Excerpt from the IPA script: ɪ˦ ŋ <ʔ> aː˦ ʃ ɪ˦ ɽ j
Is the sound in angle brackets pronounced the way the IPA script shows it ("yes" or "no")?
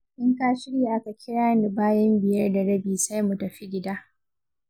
no